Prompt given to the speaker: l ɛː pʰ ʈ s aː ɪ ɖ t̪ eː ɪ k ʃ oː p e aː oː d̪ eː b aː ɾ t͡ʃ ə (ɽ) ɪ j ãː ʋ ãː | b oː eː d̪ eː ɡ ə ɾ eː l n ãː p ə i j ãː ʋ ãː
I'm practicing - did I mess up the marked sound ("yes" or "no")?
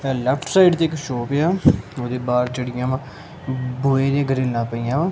no